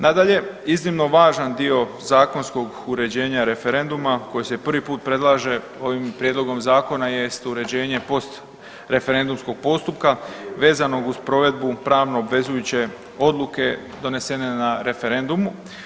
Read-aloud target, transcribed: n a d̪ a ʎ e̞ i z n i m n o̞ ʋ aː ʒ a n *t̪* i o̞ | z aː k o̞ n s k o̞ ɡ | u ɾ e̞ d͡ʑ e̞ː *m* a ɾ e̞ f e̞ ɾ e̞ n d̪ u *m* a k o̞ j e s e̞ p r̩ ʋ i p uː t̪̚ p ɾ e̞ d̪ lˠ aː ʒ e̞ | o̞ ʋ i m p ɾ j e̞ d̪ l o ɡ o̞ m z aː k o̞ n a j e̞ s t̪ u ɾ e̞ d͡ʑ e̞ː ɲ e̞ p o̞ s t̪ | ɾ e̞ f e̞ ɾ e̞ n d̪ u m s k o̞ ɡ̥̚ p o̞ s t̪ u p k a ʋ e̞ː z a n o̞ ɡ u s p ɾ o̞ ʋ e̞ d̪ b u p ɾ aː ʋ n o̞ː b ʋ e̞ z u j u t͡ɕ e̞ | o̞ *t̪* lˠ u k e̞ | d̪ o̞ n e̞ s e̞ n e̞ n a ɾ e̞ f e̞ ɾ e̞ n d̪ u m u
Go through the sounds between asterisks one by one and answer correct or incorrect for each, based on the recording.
incorrect, incorrect, correct, incorrect

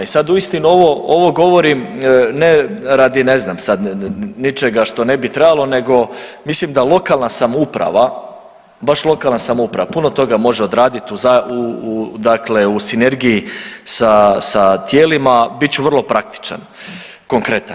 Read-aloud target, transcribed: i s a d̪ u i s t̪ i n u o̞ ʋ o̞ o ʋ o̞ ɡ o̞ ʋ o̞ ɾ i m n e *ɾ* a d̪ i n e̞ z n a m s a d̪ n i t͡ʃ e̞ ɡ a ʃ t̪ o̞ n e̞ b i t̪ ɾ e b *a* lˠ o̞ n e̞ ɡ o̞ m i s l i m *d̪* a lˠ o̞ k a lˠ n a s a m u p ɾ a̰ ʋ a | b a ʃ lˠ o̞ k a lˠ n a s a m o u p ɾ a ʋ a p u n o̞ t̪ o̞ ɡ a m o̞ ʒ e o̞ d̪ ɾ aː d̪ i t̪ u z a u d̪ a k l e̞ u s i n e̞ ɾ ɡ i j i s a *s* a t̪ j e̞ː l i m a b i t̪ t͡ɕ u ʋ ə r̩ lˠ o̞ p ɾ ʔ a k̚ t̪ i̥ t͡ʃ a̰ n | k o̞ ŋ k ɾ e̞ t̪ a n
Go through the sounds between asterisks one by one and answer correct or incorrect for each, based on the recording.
correct, correct, correct, correct

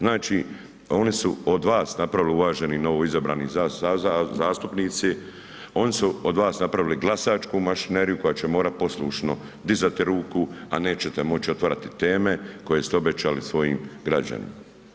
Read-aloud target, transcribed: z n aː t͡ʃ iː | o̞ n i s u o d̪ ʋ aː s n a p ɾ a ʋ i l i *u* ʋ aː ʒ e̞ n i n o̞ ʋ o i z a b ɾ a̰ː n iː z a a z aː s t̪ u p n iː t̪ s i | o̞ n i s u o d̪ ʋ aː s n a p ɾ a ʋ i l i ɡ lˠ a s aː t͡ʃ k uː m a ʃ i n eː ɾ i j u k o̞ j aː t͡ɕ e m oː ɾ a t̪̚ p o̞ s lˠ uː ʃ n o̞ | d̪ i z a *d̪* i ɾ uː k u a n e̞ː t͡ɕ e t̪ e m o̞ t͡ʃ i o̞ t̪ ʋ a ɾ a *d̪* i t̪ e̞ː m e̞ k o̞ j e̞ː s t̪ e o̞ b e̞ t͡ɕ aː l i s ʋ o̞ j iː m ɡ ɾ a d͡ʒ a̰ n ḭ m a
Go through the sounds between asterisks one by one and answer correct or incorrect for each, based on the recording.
correct, incorrect, incorrect

